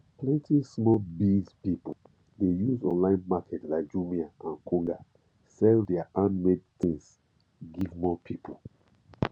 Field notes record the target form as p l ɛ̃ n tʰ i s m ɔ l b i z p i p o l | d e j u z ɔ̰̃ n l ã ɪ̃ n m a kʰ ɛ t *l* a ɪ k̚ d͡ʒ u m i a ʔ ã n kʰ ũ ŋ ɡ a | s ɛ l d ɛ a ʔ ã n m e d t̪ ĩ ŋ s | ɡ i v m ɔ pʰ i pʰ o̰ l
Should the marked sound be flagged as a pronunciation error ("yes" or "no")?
no